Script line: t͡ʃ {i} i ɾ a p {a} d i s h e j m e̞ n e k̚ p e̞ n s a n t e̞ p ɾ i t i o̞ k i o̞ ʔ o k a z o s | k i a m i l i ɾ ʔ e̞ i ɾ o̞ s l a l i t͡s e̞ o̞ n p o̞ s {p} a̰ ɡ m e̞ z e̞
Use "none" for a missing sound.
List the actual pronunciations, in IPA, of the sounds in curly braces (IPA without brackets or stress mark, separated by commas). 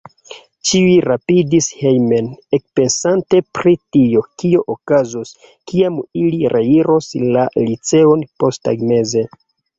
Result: i, i, t